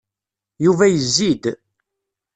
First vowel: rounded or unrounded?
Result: rounded